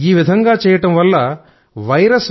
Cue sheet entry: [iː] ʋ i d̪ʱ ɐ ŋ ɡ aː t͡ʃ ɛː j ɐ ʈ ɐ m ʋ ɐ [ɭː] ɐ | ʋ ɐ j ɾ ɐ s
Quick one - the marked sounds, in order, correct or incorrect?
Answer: correct, incorrect

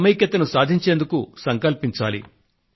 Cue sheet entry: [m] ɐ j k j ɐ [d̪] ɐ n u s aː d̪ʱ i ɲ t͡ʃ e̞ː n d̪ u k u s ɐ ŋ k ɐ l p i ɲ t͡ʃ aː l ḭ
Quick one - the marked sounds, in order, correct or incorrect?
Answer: correct, incorrect

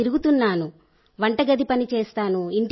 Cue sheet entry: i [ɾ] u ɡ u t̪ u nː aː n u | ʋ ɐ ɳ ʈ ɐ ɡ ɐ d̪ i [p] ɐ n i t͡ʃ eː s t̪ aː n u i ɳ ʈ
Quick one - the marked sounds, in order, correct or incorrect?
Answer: correct, correct

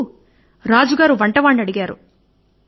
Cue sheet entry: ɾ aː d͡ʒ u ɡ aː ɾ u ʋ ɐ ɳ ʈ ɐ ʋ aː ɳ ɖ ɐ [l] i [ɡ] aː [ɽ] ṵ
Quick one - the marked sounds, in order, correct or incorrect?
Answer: incorrect, correct, incorrect

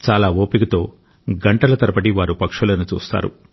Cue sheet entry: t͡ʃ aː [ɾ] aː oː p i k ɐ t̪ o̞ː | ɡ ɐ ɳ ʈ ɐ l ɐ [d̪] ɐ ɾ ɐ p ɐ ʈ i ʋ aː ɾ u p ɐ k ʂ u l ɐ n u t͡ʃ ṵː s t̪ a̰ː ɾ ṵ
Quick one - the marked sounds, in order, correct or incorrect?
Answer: incorrect, incorrect

